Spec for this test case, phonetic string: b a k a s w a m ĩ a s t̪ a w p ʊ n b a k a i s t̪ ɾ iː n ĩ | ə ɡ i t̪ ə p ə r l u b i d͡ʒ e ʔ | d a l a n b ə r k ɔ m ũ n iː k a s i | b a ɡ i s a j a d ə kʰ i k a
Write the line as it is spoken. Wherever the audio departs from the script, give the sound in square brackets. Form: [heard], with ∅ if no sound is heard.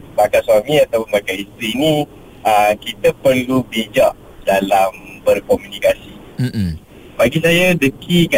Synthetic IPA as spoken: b a k a s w a m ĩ a [∅] t̪ a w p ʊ n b a k a i s t̪ ɾ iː n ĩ | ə [k] i t̪ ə p ə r l u b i d͡ʒ [a] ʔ | d a l a [m] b ə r k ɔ m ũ n [i] k a s i | b a ɡ i s a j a d ə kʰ i k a